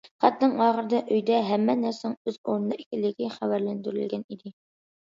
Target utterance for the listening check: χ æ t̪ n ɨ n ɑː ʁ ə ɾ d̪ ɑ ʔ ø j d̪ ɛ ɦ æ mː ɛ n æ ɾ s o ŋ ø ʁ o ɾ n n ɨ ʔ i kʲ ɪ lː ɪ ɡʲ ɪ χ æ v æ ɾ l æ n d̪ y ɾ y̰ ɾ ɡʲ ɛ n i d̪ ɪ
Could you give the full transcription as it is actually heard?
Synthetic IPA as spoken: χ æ t̪ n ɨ ŋ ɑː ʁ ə ɾ d̪ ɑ ʔ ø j d̪ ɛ ɦ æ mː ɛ n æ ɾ s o ŋ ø z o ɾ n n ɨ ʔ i kʲ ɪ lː ɪ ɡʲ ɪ χ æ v æ ɾ l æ n d̪ y ɾ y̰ l ɡʲ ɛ n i d̪ ɪ